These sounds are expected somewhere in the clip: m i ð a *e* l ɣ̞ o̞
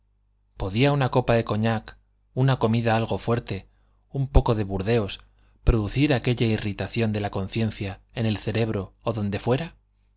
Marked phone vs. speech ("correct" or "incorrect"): incorrect